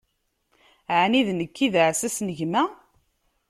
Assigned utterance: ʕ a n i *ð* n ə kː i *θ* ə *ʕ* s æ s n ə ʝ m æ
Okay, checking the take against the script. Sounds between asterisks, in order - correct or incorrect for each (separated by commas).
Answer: correct, incorrect, correct